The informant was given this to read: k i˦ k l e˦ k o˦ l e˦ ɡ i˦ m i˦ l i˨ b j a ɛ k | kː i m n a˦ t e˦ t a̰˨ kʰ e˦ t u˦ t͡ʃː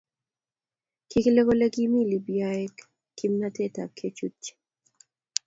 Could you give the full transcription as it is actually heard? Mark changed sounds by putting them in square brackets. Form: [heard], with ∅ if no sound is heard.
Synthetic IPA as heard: k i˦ k l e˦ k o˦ l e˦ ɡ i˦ m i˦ l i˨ b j a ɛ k | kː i m n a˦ t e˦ t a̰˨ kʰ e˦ [t͡ʃ] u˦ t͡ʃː